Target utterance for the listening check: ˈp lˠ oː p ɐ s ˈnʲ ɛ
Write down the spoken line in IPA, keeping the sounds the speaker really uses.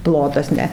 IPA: ˈp lˠ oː t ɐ s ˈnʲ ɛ